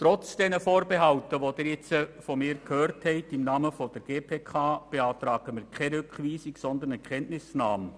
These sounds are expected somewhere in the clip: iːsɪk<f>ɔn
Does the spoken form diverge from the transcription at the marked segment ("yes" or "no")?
yes